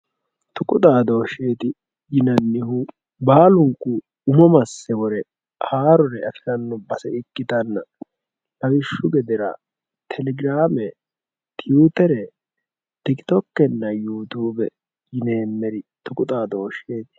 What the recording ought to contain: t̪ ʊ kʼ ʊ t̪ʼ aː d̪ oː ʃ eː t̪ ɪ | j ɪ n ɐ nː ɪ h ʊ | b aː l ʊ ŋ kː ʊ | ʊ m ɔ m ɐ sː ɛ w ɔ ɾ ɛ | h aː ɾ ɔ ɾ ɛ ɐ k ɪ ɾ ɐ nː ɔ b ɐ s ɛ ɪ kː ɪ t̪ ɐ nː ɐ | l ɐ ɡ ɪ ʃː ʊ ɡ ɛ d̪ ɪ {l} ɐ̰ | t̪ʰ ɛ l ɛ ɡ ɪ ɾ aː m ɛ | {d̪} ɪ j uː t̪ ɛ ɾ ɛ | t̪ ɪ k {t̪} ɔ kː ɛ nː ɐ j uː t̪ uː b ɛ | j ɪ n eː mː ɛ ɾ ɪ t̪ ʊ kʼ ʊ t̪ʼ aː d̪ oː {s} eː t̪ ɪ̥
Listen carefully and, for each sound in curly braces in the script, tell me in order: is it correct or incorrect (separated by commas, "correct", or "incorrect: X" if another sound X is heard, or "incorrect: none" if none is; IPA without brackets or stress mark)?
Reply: incorrect: ɾ, incorrect: t̪, correct, incorrect: ʃ